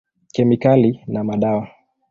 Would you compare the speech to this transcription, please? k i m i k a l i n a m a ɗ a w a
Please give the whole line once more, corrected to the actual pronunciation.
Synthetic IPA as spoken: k ɛ m i k a l i n a m a ɗ a w a